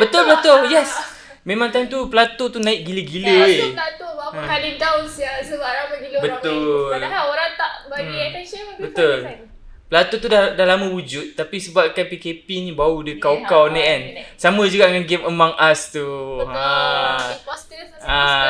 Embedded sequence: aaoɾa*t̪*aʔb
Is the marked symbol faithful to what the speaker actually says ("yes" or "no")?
yes